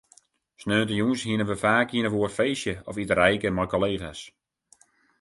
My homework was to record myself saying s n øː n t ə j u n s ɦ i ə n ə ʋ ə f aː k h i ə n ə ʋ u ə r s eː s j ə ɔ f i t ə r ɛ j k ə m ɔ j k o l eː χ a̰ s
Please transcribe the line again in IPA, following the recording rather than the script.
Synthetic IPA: s n øː n t ə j u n s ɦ i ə n ə ʋ ə f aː k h i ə n ə ʋ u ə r f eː s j ə ɔ f i t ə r ɛ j k ə m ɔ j k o l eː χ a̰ s